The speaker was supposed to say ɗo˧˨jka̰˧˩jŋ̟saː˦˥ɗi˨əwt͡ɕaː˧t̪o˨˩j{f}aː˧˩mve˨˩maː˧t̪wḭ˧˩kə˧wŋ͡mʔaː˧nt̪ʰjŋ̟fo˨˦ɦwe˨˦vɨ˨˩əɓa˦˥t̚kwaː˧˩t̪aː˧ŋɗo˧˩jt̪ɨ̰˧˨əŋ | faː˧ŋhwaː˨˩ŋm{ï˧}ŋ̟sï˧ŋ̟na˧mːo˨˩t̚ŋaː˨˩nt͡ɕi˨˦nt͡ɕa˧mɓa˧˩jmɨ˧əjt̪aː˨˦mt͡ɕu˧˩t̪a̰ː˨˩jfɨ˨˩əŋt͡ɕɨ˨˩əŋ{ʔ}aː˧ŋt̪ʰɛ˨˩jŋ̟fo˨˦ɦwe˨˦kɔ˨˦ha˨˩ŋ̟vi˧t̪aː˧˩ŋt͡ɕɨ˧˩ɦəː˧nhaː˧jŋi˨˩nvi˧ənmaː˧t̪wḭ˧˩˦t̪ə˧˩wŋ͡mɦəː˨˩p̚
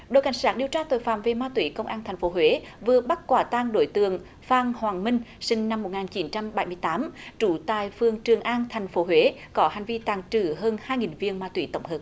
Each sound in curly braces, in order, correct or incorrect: correct, correct, correct

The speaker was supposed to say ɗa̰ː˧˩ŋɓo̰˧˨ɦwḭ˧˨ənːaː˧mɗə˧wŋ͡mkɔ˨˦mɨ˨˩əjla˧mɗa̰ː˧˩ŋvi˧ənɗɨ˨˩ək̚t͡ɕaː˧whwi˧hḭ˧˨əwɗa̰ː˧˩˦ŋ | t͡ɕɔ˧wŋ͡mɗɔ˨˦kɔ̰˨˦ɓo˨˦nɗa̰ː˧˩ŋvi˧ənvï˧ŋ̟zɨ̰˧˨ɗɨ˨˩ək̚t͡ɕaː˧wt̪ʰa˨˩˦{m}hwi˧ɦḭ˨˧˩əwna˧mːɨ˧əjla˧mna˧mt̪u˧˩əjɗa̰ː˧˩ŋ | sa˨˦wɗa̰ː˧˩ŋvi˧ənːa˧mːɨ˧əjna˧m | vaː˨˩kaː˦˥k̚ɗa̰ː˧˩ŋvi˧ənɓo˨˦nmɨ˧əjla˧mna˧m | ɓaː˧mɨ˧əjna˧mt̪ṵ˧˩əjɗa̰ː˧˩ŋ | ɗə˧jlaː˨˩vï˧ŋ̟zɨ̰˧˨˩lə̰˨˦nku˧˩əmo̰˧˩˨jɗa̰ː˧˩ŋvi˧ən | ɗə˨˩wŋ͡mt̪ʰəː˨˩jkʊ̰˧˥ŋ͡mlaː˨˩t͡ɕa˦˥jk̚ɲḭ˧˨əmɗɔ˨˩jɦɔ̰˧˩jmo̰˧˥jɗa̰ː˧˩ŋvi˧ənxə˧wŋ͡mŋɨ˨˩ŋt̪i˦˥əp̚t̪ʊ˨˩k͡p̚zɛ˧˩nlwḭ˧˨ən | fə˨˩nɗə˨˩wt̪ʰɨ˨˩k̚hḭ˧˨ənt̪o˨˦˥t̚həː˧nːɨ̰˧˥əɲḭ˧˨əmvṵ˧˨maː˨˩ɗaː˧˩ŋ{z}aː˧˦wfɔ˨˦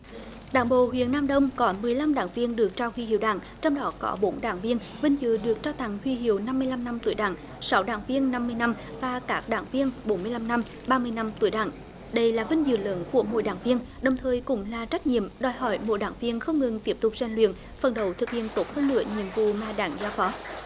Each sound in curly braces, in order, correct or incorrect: incorrect: ŋ, correct

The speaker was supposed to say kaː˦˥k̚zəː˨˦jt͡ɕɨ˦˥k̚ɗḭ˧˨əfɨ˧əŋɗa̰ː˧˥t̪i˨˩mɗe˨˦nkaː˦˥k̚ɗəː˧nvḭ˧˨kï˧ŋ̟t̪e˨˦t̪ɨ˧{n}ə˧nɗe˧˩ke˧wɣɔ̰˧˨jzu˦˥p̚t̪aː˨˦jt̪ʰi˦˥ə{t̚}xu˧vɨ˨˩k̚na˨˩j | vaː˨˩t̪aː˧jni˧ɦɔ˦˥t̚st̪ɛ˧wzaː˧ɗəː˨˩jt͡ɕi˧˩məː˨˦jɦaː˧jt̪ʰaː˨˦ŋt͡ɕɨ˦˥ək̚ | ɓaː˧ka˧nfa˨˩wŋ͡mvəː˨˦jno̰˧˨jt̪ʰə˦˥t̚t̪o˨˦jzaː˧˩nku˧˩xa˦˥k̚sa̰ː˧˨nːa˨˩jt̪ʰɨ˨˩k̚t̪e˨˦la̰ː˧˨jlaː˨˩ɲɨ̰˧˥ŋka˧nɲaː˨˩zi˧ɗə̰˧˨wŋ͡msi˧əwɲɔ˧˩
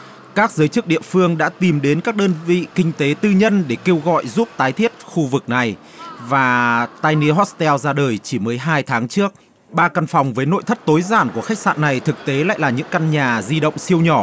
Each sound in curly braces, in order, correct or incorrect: incorrect: ɲ, correct

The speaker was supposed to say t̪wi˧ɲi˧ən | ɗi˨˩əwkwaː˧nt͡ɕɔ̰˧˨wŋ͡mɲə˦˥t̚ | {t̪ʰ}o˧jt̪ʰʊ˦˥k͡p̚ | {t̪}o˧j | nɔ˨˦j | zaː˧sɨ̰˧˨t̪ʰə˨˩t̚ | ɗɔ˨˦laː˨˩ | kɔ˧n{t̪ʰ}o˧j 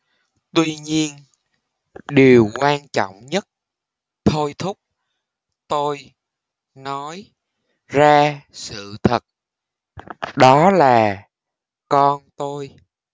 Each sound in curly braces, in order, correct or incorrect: correct, correct, incorrect: t̪

